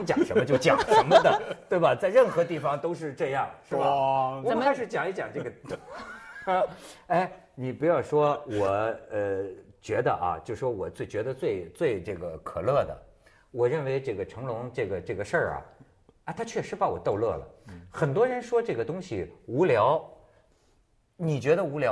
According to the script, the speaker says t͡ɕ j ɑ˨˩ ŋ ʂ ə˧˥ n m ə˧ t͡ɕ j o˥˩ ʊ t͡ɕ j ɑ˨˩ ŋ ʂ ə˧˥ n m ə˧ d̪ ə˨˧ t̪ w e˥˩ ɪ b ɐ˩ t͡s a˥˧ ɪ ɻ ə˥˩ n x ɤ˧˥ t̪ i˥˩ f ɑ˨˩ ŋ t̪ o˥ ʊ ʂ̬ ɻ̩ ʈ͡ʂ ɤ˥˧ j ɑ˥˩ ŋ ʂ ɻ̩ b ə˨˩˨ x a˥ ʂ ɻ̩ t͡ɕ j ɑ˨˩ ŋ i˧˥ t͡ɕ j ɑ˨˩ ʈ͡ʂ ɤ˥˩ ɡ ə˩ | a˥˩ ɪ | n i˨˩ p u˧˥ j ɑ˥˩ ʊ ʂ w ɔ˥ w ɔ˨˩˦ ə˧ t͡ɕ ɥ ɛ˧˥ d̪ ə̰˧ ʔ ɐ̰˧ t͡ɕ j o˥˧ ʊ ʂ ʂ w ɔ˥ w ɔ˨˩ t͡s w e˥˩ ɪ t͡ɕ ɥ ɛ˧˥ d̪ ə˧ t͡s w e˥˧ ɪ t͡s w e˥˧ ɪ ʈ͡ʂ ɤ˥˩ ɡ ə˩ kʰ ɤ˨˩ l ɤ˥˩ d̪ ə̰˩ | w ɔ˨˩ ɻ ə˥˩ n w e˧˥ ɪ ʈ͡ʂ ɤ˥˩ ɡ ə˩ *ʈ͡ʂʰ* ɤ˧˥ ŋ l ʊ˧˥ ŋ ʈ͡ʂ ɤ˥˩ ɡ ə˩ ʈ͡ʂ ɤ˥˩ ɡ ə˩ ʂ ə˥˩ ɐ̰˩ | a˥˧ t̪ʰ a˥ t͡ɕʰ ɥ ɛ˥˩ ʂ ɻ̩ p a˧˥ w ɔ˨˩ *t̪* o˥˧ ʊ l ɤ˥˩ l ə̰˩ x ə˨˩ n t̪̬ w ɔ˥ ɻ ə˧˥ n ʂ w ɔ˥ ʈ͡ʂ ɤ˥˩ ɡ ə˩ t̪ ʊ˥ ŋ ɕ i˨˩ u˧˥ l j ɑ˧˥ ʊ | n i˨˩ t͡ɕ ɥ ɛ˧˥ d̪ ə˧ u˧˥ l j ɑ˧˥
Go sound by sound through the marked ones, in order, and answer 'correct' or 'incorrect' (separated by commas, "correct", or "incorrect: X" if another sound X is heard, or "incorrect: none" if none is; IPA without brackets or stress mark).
correct, correct